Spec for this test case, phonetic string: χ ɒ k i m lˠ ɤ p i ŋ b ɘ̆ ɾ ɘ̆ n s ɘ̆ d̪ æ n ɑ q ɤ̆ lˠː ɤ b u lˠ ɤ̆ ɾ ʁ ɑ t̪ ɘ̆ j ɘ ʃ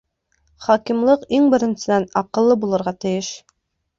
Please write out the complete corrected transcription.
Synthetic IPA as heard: χ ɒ k i m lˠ ɤ q i ŋ b ɘ̆ ɾ ɘ̆ n s ɘ̆ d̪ æ n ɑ q ɤ̆ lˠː ɤ b u lˠ ɤ̆ ɾ ʁ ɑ t̪ ɘ̆ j ɘ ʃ